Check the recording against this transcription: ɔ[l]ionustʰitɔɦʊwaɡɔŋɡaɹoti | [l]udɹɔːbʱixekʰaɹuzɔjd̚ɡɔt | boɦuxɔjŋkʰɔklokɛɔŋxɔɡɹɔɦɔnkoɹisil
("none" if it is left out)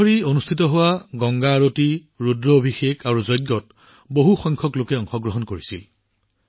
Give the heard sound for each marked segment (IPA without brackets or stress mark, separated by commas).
ɹ, ɹ